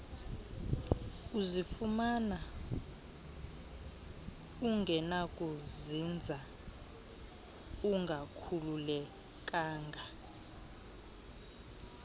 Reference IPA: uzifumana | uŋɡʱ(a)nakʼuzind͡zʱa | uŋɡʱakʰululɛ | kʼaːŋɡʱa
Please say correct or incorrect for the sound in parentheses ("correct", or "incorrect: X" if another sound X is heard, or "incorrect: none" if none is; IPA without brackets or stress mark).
incorrect: ɛ